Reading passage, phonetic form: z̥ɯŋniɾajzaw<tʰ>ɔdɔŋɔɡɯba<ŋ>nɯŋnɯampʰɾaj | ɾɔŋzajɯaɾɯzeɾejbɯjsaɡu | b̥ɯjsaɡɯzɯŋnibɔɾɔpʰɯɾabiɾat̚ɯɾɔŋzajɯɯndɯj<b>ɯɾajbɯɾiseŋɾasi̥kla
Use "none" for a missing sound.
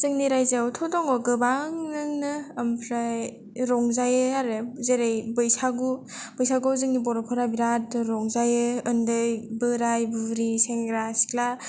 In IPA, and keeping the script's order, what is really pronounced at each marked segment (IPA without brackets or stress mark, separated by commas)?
tʰ, ŋ, b